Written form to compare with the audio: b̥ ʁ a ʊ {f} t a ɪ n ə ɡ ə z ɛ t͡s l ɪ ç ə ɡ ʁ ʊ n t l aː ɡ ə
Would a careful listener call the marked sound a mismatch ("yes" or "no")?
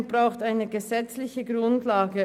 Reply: yes